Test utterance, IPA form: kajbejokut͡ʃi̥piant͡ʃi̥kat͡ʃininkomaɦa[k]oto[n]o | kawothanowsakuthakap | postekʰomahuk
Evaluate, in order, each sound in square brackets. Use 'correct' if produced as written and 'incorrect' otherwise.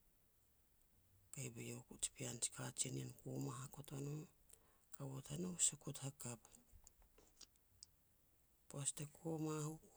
correct, correct

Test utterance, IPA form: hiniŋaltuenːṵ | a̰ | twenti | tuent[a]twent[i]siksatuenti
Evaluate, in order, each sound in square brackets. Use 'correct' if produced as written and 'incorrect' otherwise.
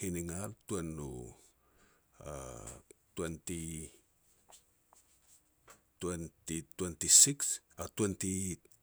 incorrect, correct

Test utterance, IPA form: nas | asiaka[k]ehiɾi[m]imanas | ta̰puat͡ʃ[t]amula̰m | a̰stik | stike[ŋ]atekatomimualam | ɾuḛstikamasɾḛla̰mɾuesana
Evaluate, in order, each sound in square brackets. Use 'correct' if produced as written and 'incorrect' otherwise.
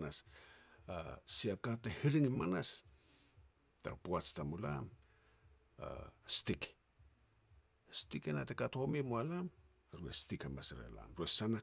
incorrect, incorrect, correct, incorrect

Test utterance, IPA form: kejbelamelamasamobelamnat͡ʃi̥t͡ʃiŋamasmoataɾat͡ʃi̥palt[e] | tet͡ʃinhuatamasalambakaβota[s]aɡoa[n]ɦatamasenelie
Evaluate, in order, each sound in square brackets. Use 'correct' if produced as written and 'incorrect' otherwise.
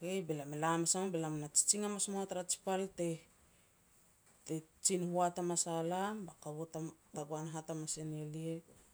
correct, incorrect, correct

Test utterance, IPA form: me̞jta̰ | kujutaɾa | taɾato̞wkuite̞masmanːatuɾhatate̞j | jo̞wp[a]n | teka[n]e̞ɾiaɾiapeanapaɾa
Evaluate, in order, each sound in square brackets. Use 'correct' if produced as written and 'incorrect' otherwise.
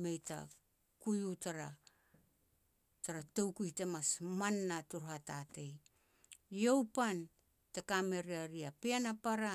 correct, incorrect

